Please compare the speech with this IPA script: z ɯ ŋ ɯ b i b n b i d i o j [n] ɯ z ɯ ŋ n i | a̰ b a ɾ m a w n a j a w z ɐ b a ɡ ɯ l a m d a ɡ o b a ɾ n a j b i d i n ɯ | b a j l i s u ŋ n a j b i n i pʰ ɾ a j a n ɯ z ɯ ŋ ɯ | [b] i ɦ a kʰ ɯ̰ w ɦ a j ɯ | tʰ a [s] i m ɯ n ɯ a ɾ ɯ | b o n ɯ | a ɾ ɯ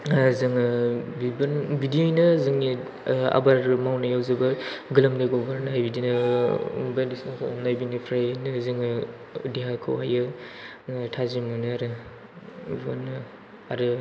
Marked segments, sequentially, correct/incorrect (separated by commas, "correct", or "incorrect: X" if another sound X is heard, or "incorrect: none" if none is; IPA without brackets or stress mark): correct, incorrect: d, incorrect: z